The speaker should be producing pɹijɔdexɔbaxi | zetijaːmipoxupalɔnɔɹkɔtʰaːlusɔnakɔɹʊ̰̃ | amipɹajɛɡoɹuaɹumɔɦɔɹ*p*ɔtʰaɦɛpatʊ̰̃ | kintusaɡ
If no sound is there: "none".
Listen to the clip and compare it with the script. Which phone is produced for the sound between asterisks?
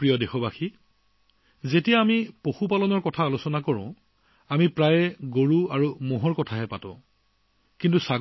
k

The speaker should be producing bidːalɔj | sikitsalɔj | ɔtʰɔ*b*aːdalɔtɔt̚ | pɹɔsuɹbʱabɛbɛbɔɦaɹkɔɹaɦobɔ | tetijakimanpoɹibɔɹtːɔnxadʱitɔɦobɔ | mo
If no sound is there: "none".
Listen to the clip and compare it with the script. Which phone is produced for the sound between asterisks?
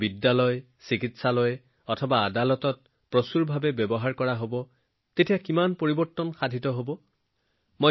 b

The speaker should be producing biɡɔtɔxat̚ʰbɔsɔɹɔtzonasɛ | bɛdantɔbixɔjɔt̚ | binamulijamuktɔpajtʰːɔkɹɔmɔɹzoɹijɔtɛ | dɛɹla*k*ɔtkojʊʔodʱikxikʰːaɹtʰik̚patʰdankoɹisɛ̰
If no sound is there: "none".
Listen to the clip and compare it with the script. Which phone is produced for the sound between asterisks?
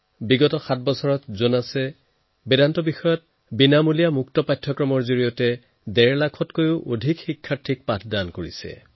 kʰ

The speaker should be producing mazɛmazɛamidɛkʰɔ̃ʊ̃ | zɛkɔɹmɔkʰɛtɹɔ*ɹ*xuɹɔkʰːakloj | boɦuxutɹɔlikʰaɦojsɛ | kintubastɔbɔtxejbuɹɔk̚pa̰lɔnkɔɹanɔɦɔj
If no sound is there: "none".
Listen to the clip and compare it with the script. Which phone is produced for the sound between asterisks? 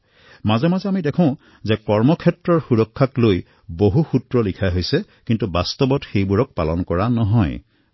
ɹ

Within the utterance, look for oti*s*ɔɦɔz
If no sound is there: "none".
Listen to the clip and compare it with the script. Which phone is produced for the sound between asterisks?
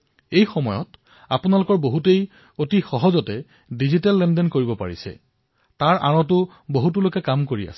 x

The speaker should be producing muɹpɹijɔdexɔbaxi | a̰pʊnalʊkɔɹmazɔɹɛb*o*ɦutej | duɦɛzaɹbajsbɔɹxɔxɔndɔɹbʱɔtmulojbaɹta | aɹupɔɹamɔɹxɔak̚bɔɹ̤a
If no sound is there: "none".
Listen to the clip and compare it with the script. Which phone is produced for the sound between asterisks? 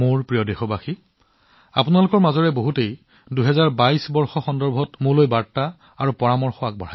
o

